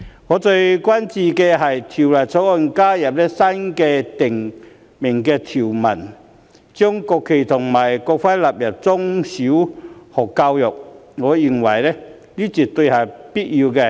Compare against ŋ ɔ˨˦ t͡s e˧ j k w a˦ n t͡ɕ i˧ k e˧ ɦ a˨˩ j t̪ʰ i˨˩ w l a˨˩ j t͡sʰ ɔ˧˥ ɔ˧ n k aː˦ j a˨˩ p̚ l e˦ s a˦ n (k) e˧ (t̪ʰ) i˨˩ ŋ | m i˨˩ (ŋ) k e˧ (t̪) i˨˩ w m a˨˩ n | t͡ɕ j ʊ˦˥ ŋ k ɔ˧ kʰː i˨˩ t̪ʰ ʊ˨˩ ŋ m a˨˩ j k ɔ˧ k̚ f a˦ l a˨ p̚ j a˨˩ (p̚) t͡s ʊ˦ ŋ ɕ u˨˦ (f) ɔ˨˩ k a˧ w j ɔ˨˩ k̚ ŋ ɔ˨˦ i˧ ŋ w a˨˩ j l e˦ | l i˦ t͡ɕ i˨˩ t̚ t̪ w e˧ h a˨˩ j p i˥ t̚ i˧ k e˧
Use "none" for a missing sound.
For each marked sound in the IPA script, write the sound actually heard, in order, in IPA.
k, t̪, ŋ, t̪ʰ, p̚, h

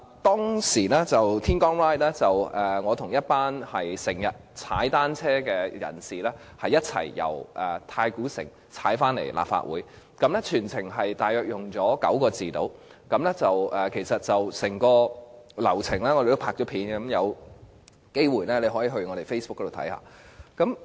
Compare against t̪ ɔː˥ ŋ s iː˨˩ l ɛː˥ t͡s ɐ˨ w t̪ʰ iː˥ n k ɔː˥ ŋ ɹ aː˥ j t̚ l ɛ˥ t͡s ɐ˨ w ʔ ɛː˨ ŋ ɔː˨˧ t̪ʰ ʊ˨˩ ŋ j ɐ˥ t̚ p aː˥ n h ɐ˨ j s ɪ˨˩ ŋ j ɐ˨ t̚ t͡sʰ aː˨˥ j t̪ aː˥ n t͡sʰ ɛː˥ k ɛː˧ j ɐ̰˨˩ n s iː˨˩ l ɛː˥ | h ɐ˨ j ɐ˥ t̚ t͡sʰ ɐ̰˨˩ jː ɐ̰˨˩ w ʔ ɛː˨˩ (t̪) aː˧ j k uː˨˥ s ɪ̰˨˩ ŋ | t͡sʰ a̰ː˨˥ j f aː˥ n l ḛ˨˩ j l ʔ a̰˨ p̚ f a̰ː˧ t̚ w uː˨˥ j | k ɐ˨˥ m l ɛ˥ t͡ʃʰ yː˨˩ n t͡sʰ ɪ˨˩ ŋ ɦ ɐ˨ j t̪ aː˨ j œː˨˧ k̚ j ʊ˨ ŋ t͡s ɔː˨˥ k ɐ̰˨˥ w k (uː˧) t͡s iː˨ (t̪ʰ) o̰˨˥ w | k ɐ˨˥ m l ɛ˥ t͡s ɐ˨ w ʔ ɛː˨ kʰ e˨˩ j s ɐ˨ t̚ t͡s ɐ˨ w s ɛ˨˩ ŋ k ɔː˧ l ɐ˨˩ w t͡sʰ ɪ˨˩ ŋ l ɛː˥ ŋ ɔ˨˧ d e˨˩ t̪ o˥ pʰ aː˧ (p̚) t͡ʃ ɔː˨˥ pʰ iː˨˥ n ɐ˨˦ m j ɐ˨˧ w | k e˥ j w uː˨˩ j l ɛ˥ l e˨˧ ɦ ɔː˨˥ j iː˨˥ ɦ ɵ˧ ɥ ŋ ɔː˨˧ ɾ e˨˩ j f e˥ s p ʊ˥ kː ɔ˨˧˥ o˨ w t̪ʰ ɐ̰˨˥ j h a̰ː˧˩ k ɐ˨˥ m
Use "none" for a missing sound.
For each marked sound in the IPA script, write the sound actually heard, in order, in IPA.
t̪ʰ, ɔː˧, t̪, k̚

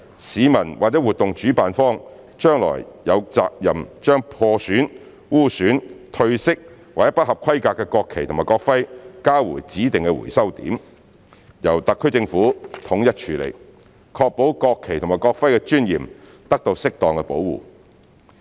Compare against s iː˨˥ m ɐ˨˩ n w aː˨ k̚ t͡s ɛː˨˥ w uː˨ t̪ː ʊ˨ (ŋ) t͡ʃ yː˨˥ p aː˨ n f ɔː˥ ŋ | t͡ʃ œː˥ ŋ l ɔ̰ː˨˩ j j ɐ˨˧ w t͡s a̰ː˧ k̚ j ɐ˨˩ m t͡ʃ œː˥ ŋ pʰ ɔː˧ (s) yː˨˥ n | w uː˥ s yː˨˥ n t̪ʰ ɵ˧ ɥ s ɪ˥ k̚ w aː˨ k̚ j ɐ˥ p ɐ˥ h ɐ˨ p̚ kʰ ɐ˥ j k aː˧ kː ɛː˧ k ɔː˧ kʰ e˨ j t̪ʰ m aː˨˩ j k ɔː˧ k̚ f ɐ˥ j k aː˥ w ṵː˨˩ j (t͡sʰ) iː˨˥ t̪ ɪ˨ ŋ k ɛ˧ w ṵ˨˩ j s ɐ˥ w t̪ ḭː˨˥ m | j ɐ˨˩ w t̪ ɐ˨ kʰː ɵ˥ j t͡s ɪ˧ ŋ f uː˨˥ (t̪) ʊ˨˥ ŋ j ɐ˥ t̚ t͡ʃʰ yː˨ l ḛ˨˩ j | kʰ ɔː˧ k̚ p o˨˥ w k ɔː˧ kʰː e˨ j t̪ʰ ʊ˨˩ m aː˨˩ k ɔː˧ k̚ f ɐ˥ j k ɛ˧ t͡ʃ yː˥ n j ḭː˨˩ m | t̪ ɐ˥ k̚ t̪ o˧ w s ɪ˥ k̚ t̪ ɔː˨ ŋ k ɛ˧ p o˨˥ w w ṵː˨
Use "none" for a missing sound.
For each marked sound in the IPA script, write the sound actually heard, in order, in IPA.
ŋ, s, t͡s, t̪ʰ

